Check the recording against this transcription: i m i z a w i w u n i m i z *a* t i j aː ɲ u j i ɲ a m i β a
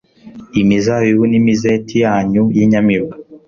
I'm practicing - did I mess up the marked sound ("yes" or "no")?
yes